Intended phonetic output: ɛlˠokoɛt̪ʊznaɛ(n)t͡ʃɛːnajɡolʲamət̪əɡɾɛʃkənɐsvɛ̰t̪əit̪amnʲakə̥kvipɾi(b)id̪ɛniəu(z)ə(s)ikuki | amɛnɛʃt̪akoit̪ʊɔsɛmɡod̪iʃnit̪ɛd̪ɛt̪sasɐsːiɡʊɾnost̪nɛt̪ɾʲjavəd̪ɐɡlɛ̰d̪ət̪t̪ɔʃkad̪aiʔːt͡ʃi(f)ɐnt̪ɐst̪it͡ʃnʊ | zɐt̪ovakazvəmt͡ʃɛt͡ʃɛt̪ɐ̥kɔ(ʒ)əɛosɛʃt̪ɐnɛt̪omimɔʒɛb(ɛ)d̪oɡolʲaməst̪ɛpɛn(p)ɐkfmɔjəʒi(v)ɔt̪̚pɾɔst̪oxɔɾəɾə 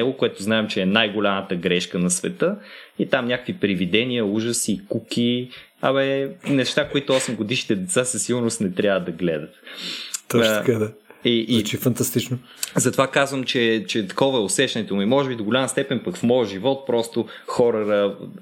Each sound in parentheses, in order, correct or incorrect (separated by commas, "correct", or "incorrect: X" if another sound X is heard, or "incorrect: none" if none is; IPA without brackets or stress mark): incorrect: m, incorrect: v, incorrect: ʒ, correct, correct, incorrect: v, incorrect: i, correct, correct